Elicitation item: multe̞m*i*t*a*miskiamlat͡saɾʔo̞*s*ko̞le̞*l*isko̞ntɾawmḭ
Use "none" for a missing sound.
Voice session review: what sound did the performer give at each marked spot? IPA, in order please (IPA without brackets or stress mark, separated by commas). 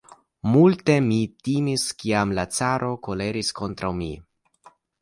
i, i, none, ɾ